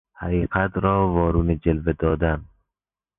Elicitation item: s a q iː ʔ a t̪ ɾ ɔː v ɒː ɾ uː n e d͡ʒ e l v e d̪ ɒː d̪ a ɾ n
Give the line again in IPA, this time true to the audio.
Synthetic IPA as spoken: h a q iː q a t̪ ɾ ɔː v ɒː ɾ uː n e d͡ʒ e l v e d̪ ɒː d̪ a n